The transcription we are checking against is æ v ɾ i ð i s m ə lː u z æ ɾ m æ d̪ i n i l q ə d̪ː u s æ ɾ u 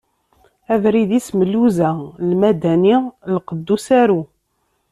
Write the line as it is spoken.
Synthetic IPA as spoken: æ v ɾ i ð i s m ə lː u z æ l m æ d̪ æ n i l q ə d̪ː u s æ ɾ u

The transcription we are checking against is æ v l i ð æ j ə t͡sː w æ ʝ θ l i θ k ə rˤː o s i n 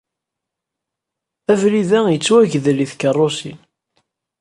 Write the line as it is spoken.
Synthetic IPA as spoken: æ v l i ð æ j ə t͡sː w æ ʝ ð l i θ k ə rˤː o s i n

